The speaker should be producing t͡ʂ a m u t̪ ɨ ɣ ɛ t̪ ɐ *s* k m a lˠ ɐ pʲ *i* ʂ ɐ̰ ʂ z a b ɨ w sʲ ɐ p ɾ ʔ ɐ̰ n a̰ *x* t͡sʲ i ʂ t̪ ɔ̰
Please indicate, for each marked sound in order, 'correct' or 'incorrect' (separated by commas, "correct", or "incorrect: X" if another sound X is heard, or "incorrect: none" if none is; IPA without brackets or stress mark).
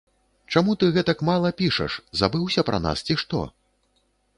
incorrect: none, correct, incorrect: s